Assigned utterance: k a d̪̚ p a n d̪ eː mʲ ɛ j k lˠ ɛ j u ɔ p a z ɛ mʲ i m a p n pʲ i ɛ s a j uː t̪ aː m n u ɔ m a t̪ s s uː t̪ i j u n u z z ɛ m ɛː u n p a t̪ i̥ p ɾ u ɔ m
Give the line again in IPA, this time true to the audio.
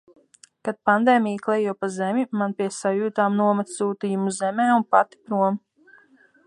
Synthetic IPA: k a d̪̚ p a n d̪ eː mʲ i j k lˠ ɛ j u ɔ p a z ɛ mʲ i m a n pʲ i ɛ s a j uː t̪ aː m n u ɔ m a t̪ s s uː t̪ i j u m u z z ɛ m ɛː u n p a t̪ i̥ p ɾ u ɔ m

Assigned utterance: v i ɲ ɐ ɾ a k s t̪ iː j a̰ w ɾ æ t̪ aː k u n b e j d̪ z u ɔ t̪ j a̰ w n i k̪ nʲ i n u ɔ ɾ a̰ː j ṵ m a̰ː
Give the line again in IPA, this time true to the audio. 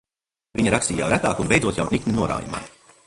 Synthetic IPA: v i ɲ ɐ ɾ a k s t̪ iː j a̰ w ɾ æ t̪ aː k u n b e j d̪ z u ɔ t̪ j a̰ w n i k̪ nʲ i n u ɔ ɾ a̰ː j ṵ m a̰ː

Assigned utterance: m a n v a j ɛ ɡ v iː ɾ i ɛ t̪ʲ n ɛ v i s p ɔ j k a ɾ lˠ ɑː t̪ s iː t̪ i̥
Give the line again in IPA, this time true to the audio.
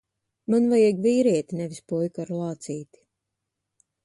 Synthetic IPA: m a n v a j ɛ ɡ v iː ɾ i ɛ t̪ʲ n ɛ v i s p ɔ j k a ɾ lˠ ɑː t̪ s iː t̪ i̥

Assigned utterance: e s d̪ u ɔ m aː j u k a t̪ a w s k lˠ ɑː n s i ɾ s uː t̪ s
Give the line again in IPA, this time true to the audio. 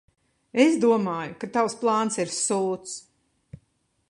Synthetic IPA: e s d̪ u ɔ m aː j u k a t̪ a w s p lˠ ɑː n s i ɾ s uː t̪ s

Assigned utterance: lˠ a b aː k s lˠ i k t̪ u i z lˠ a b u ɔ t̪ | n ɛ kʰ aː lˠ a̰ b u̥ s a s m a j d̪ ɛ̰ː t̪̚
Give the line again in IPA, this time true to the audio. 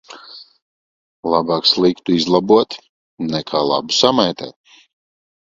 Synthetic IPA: lˠ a b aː k s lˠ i k t̪ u i z lˠ a b u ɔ t̪ | n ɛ kʰ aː lˠ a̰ b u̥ s a m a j t̪ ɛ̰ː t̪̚

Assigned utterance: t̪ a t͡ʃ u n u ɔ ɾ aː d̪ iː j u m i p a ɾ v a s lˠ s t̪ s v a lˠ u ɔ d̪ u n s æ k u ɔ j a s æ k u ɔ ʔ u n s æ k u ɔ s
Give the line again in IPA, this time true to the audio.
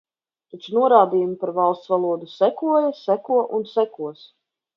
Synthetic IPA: t̪ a t͡ʃ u n u ɔ ɾ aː d̪ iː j u m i p a ɾ v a lˠ s t̪ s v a lˠ u ɔ d̪ u s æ k u ɔ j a s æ k u ɔ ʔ u n s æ k u ɔ s

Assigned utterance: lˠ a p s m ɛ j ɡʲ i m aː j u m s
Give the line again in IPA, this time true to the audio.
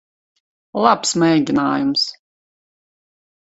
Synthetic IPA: lˠ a p s m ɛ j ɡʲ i n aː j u m s

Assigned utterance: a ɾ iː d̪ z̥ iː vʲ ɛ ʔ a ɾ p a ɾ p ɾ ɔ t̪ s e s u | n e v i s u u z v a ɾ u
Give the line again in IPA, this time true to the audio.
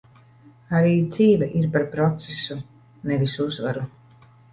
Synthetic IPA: a ɾ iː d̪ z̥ iː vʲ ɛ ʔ i ɾ p a ɾ p ɾ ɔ t̪ s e s u | n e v i s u u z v a ɾ u

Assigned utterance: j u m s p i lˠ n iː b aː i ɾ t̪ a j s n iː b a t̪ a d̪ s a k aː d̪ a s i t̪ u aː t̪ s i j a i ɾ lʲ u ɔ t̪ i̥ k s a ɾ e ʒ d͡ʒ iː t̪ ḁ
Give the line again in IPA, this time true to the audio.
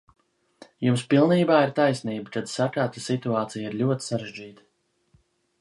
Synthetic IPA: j u m s p i lˠ n iː b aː i ɾ t̪ a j s n iː b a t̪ a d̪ s a k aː t̪ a s i t̪ u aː t̪ s i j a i ɾ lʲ u ɔ t̪ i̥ s a ɾ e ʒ d͡ʒ iː t̪ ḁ

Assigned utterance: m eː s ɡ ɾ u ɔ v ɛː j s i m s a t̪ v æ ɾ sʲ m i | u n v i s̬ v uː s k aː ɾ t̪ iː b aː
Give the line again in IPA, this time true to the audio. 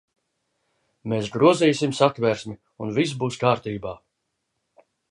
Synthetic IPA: m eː s ɡ ɾ u ɔ z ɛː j s i m s a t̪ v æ ɾ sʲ m i | u n v i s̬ b uː s k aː ɾ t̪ iː b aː

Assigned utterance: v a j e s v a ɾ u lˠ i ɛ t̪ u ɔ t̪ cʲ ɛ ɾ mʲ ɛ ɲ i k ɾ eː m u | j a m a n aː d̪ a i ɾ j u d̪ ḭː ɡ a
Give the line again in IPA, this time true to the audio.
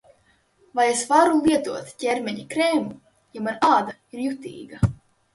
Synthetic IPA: v a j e s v a ɾ u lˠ i ɛ t̪ u ɔ t̪ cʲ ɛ ɾ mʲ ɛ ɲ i k ɾ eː m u | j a m a n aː d̪ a i ɾ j u t̪ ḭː ɡ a

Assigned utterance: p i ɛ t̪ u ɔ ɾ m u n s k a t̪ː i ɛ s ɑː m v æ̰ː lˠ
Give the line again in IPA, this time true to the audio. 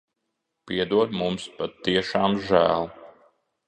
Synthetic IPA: p i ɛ d̪ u ɔ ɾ m u m s p a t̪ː i ɛ ʃ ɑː m ʒ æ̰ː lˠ

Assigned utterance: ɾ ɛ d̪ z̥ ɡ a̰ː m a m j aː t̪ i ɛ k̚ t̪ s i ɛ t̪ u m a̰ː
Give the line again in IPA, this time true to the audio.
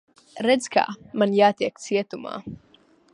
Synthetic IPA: ɾ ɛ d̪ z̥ k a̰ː m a n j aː t̪ i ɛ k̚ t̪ s i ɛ t̪ u m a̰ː

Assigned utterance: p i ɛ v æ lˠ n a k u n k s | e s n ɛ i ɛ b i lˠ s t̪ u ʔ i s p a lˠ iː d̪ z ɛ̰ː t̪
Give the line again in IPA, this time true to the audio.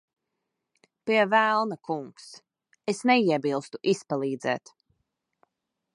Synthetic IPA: p i ɛ v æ lˠ n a k u ŋ k s | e s n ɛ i ɛ b i lˠ s t̪ u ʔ i s p a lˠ iː d̪ z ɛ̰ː t̪

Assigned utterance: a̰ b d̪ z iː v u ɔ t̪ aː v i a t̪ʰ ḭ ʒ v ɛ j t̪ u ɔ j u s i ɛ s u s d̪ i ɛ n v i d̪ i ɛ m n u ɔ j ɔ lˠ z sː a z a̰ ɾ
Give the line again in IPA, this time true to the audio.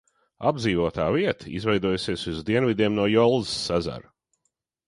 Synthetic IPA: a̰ b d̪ z iː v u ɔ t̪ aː v i ɛ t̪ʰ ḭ z v ɛ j d̪ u ɔ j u s i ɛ s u z d̪ i ɛ n v i d̪ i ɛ m n u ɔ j ɔ lˠ z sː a z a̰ ɾ

